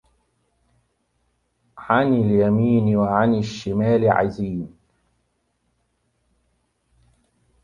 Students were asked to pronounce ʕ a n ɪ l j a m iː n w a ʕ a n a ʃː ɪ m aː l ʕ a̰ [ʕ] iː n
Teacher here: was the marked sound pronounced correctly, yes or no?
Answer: no